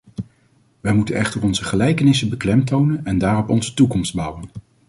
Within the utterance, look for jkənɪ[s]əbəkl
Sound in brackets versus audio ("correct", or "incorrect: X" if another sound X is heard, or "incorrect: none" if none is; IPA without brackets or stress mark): correct